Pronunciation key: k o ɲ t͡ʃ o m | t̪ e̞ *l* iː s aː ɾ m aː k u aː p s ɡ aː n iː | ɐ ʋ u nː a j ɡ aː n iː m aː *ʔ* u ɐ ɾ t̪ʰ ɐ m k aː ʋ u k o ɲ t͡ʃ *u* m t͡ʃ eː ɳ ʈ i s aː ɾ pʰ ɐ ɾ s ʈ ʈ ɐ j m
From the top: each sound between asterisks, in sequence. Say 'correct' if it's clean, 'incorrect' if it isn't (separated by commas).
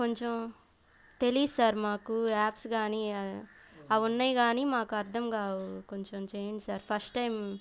correct, incorrect, incorrect